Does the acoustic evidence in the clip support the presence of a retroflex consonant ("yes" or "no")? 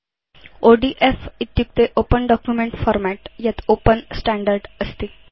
yes